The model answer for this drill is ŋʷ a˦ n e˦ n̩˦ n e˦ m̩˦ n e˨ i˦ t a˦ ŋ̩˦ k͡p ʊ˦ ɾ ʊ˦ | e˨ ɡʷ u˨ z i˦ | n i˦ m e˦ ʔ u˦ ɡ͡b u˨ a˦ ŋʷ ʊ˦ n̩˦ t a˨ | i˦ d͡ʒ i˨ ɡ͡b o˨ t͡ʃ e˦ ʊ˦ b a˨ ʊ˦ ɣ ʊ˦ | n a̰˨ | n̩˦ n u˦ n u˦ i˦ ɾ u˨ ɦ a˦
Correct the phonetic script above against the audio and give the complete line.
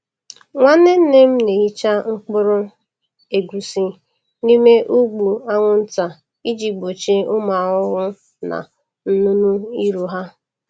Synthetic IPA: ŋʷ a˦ n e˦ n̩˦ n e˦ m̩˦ n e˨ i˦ t͡ʃ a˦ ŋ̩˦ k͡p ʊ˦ ɾ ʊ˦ | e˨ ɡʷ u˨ s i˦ | n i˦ m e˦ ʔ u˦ ɡ͡b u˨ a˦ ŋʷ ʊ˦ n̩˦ t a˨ | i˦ d͡ʒ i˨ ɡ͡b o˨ t͡ʃ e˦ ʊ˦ m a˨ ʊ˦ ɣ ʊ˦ | n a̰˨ | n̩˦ n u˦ n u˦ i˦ ɾ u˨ ɦ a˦